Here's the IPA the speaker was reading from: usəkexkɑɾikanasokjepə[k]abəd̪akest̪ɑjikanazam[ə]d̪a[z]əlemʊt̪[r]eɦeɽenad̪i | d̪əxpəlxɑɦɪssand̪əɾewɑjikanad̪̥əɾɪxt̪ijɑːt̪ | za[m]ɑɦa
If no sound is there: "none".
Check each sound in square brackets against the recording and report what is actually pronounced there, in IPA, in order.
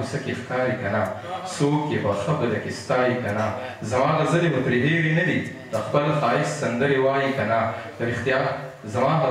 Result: x, ɑ, z, ɾ, m

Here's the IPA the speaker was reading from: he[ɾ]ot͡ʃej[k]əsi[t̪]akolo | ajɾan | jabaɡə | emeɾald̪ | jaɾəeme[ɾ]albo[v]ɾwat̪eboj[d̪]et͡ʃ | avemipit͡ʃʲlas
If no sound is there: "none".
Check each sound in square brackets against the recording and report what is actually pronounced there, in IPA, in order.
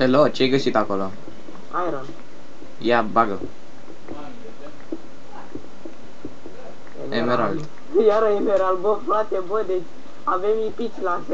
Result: l, ɡ, t̪, ɾ, f, d̪

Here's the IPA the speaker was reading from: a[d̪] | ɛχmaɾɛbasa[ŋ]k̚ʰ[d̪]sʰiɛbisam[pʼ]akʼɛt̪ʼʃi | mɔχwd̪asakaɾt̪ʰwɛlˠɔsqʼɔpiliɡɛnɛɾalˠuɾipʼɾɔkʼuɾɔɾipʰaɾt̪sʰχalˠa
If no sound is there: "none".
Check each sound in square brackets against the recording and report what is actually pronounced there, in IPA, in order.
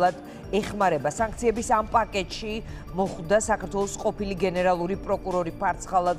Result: d̪, ŋ, t̪, pʼ

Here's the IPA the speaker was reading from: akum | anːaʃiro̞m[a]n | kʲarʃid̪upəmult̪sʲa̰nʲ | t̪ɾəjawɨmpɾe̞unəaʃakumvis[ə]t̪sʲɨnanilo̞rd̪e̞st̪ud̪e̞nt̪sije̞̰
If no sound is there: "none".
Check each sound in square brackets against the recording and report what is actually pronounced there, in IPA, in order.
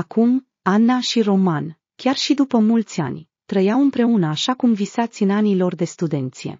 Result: a, a

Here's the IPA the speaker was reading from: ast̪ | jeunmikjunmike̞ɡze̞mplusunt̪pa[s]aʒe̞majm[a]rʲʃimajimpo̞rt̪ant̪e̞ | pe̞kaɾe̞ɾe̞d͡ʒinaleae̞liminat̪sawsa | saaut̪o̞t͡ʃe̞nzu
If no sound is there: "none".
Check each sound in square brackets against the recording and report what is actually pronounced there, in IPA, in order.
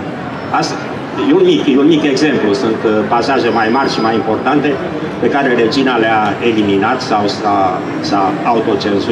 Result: s, a

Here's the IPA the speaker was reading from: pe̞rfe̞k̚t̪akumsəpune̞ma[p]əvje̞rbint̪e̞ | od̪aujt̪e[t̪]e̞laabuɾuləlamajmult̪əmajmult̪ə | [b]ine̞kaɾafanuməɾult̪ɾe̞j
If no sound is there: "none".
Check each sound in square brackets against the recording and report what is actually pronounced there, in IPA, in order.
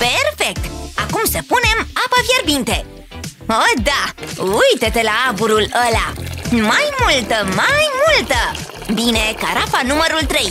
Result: p, t̪, b

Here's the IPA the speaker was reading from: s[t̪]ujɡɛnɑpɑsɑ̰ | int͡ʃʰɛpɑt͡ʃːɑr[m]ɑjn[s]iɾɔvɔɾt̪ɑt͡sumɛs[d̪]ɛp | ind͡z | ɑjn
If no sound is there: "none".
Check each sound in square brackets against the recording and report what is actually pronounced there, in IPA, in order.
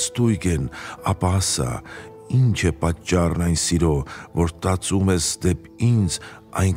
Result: t̪, n, s, d̪

